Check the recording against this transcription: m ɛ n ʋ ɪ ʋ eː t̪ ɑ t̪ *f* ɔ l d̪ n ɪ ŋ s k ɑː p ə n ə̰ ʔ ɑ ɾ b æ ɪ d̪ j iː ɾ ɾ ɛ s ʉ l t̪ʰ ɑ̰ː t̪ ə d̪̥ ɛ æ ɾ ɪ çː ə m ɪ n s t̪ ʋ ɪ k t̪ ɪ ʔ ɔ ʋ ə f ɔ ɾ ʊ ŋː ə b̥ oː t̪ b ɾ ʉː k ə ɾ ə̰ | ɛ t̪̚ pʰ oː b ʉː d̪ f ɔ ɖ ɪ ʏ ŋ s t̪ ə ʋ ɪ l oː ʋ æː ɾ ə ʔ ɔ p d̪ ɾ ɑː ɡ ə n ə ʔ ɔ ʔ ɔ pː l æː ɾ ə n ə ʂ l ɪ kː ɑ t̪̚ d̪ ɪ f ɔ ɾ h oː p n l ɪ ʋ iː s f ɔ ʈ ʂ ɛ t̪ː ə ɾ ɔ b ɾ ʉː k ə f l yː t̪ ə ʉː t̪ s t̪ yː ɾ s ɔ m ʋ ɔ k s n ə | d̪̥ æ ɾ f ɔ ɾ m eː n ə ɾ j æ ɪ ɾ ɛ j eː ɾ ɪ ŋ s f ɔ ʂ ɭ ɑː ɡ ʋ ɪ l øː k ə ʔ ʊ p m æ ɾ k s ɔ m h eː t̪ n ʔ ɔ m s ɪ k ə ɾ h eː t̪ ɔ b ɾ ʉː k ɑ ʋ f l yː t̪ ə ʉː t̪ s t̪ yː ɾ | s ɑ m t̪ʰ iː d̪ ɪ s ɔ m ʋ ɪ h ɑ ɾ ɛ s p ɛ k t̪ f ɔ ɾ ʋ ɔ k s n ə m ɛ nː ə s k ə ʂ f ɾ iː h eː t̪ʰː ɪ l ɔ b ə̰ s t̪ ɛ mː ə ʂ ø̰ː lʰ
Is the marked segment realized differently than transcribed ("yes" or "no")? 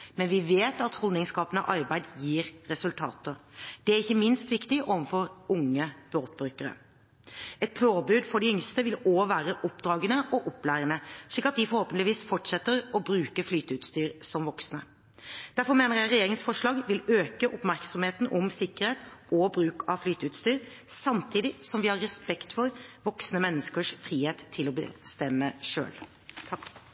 yes